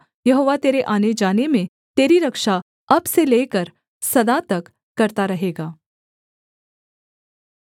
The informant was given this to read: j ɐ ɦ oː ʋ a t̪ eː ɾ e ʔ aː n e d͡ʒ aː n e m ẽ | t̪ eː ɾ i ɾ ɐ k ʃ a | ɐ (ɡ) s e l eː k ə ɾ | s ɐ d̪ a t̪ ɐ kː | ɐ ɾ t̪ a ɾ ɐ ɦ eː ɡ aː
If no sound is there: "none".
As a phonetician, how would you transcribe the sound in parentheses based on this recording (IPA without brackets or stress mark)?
b